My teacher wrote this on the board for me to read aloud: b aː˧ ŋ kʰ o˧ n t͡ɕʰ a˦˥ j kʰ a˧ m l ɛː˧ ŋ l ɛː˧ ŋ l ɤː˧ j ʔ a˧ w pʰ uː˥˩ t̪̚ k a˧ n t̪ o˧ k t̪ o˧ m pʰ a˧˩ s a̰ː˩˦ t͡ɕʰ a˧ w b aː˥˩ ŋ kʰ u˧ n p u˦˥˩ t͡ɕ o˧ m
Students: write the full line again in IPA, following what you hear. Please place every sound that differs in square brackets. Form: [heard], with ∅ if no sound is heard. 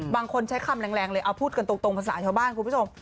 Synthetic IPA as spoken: b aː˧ ŋ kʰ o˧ n t͡ɕʰ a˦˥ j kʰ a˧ m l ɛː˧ ŋ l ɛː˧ ŋ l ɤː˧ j ʔ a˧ w pʰ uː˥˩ t̪̚ k a˧ n t̪ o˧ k t̪ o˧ [ŋ] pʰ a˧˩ s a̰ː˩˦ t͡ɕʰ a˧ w b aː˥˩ [n] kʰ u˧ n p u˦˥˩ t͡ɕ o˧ m